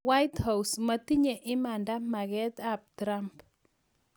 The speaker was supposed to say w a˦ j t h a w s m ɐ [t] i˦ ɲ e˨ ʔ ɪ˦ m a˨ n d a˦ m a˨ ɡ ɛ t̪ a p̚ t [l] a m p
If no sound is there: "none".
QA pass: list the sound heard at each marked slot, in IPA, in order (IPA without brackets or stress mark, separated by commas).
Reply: t, ɾ